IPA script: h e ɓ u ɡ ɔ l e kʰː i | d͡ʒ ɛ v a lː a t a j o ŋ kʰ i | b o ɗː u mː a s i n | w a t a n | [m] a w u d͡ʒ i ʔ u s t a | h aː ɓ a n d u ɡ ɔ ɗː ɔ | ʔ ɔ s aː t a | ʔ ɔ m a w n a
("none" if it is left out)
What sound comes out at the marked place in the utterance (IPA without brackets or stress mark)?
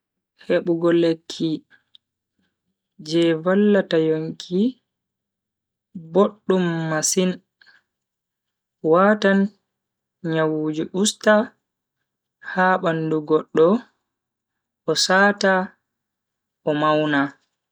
ɲ